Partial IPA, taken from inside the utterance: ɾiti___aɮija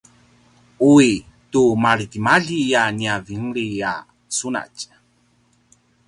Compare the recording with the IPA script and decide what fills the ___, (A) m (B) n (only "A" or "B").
A